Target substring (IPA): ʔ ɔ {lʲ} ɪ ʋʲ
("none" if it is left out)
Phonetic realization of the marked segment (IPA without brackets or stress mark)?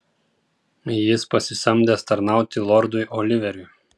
lʲ